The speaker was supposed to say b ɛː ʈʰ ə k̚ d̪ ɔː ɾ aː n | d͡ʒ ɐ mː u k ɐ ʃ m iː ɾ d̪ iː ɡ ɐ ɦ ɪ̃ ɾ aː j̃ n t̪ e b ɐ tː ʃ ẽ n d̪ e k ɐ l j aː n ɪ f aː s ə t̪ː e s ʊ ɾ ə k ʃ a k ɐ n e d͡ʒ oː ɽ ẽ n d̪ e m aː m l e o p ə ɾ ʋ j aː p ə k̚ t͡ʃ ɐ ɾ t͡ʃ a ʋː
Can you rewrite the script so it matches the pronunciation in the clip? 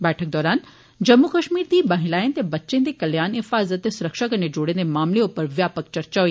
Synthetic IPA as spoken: b ɛː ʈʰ ə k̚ d̪ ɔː ɾ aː n | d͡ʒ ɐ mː u k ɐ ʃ m iː ɾ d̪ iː b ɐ ɦ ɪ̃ l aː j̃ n t̪ e b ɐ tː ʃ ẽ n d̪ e k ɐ l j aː n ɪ f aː z ə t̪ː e s ʊ ɾ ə k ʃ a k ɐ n e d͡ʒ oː ɽ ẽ n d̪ e m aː m l e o p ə ɾ ʋ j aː p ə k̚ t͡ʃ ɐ ɾ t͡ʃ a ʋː